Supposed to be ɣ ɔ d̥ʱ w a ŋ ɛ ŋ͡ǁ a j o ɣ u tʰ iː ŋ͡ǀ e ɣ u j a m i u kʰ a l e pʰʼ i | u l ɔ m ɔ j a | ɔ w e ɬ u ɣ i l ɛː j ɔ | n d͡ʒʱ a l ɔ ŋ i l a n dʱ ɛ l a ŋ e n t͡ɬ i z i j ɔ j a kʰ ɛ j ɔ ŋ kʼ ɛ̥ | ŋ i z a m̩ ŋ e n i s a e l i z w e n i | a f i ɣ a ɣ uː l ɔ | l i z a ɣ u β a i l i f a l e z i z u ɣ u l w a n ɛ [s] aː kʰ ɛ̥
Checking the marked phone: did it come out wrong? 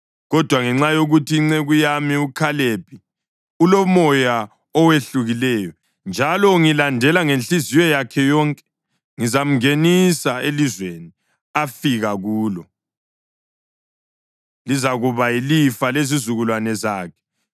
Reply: yes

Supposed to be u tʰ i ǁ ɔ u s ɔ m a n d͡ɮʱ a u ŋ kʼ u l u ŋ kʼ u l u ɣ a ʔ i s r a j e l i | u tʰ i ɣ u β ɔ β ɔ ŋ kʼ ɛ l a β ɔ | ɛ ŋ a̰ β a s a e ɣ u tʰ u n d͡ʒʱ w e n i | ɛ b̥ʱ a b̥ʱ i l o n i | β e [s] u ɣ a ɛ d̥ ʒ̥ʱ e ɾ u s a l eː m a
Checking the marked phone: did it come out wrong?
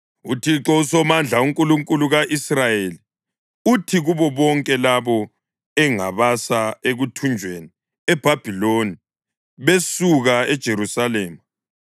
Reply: no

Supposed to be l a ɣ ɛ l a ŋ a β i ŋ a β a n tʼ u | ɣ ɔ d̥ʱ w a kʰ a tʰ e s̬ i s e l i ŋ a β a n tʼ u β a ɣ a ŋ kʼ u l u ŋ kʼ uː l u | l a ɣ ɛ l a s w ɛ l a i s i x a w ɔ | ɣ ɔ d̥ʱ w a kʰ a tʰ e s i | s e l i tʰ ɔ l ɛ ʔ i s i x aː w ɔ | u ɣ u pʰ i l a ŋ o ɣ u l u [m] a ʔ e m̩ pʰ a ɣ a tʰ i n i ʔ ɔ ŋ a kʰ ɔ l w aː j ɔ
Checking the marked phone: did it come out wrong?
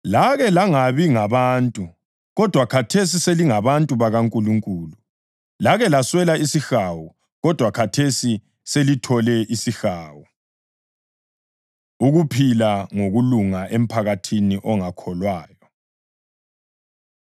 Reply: yes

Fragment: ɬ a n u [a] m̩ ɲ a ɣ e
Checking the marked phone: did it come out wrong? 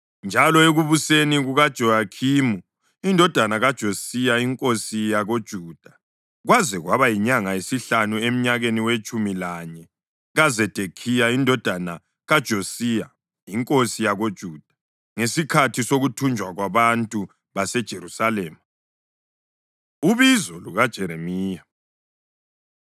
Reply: yes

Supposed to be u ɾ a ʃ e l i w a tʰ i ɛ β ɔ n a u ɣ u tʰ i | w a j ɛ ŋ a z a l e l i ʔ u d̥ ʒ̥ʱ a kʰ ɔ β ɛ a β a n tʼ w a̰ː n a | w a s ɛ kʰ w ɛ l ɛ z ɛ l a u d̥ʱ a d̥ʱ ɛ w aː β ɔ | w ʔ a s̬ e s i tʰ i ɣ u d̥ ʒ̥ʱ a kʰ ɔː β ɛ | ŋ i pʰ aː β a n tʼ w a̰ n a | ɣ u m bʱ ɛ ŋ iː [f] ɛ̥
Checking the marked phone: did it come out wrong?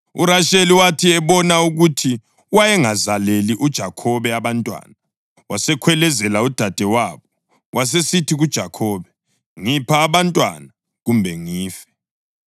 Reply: no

